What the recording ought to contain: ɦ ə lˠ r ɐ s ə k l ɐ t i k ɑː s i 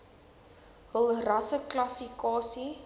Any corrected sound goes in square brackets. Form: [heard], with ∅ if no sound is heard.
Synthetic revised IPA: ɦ ə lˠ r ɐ s ə k l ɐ [s] i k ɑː s i